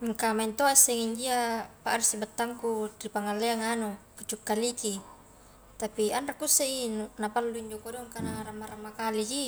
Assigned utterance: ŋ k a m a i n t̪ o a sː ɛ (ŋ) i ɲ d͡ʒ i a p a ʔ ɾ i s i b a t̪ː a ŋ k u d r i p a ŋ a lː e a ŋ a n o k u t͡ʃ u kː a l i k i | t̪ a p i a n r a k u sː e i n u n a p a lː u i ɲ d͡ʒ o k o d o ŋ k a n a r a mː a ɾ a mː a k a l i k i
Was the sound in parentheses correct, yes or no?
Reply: yes